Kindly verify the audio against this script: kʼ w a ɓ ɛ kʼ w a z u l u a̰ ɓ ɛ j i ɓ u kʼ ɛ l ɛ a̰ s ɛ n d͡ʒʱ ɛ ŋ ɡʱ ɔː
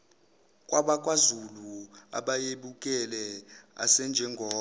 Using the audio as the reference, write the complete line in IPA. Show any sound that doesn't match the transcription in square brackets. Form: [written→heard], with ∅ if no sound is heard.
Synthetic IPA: kʼ w a ɓ [ɛ→a] kʼ w a z u l u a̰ ɓ [ɛ→a] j [i→e] ɓ u kʼ ɛ l ɛ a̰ s ɛ n d͡ʒʱ ɛ ŋ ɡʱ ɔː